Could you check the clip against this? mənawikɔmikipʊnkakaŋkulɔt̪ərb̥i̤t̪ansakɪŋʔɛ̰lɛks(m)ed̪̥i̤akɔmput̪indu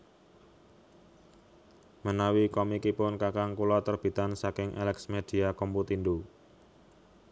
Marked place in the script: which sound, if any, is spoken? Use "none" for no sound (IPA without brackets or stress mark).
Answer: m